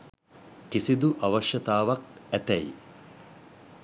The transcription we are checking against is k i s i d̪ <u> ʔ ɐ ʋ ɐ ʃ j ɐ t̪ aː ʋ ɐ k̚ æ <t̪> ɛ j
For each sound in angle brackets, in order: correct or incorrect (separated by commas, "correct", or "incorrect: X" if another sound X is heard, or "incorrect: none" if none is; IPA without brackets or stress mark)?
correct, correct